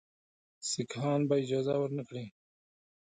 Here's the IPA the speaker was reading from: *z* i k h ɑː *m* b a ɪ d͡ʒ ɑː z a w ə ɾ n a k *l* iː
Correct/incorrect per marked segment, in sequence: incorrect, incorrect, incorrect

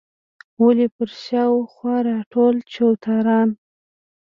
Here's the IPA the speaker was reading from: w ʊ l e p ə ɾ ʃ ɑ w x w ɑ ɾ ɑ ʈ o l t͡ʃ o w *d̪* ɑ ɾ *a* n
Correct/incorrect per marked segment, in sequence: incorrect, incorrect

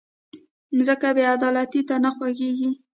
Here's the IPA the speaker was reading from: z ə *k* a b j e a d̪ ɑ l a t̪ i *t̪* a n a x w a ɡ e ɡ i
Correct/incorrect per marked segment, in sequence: correct, correct

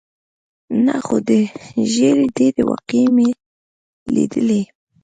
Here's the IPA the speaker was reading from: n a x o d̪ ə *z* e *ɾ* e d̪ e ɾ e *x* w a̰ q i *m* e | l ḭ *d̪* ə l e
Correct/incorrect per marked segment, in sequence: incorrect, correct, incorrect, correct, correct

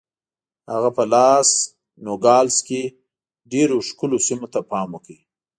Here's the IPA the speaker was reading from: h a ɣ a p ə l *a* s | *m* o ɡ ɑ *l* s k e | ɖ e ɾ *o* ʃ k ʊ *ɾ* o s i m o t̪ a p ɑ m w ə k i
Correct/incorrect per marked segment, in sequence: incorrect, incorrect, correct, correct, incorrect

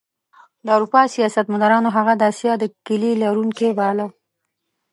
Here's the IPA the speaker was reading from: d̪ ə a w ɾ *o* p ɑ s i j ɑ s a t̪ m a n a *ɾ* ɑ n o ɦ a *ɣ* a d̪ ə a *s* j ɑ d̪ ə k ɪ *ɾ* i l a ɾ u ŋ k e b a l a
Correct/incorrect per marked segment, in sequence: incorrect, correct, correct, correct, incorrect

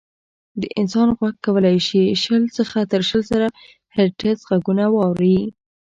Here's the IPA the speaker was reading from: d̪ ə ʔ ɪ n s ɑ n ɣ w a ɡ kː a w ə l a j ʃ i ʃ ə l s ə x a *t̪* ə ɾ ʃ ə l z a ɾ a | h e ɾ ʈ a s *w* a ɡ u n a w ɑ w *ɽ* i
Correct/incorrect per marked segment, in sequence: correct, incorrect, incorrect

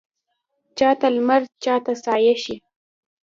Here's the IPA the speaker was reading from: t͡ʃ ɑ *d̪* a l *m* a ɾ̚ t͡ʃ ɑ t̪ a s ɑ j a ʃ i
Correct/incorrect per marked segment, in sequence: incorrect, correct

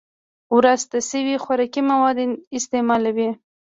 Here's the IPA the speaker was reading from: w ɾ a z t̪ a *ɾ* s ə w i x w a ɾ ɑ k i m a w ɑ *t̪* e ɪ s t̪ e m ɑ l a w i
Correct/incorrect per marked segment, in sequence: incorrect, incorrect

